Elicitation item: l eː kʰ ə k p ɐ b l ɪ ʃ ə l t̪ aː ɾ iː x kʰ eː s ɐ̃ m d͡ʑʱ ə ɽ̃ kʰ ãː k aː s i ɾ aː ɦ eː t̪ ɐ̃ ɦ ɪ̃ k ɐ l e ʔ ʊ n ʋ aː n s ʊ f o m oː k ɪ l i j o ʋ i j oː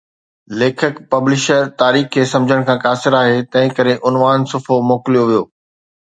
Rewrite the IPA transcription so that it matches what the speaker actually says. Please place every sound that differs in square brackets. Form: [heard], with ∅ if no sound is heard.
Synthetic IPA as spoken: l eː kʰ ə k p ɐ b l ɪ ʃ ə [ɾ] t̪ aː ɾ iː x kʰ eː s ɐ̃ m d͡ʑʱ ə ɽ̃ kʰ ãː k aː s [ɪ] ɾ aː ɦ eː t̪ ɐ̃ ɦ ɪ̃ k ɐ [ɾ] e ʔ ʊ n ʋ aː n s ʊ f o m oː k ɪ l i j o ʋ i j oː